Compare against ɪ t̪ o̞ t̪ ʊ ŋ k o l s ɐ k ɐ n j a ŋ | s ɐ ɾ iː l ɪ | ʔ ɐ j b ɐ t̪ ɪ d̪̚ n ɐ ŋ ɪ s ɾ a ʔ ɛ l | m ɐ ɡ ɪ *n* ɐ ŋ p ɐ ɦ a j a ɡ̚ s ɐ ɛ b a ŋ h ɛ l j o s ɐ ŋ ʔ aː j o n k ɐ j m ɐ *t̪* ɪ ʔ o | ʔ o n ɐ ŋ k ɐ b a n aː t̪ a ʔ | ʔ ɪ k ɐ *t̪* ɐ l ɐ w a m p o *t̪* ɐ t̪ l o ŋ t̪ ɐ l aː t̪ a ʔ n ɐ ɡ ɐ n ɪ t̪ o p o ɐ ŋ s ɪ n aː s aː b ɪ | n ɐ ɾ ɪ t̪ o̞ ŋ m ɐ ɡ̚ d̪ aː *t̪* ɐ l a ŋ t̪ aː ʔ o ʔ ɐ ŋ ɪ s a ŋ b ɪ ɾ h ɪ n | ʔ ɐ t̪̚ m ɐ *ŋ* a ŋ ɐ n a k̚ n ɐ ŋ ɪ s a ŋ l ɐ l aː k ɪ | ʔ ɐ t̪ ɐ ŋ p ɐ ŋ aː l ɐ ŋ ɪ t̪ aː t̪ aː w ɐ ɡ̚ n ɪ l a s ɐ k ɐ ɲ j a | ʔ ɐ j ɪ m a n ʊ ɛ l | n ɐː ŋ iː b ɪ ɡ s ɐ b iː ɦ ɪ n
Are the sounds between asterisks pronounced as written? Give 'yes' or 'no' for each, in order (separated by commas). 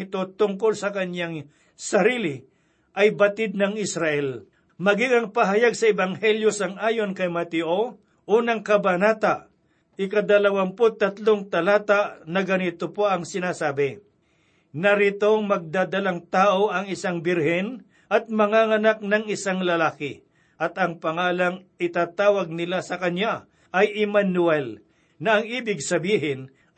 no, yes, no, yes, no, yes